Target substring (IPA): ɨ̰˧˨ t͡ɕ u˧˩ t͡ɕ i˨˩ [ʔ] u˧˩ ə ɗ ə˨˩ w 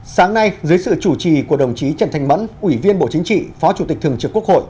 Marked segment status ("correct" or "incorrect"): incorrect